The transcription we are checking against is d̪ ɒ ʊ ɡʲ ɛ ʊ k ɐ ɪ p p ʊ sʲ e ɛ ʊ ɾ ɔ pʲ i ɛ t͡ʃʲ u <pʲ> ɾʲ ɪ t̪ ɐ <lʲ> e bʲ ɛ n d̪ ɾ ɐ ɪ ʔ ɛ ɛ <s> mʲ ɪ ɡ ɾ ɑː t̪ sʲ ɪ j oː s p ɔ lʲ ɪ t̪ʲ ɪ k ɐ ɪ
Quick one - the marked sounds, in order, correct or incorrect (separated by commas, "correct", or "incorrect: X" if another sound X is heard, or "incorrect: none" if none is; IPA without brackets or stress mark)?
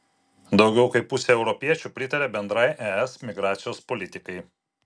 correct, incorrect: ɾʲ, correct